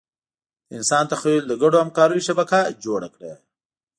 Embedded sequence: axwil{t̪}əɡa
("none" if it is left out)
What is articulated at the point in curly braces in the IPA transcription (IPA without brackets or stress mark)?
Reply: d̪